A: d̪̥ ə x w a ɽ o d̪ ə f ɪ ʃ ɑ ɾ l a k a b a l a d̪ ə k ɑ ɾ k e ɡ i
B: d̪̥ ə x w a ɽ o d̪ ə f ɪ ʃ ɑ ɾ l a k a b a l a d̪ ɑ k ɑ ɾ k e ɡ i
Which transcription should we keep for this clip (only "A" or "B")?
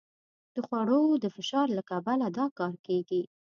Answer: B